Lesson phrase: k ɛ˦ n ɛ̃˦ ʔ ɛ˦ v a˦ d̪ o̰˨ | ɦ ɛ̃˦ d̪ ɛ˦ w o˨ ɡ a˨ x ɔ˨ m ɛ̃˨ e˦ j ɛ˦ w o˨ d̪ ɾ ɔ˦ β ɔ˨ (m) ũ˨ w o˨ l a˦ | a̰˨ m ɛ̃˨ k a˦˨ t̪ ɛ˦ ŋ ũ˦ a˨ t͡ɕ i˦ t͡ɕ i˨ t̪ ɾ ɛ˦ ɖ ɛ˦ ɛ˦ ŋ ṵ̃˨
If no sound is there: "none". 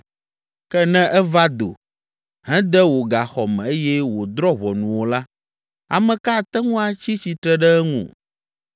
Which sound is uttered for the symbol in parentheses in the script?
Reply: n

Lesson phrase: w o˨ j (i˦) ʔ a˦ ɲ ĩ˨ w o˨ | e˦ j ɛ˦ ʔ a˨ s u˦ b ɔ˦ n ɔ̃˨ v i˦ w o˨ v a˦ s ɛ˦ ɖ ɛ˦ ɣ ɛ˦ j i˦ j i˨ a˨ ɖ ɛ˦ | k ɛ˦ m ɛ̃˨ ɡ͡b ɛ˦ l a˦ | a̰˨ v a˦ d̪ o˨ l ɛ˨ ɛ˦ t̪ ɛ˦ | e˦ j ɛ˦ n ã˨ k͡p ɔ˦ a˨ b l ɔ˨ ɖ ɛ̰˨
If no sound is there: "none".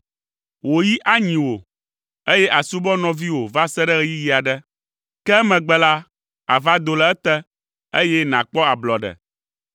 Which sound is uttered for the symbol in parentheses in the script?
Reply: i˦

